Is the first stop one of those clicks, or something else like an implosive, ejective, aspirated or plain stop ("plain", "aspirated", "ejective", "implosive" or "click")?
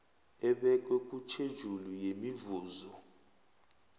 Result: implosive